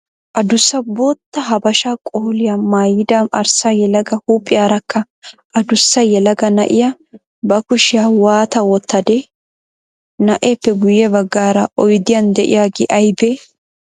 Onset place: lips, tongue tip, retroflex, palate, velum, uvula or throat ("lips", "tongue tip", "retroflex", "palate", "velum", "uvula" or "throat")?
throat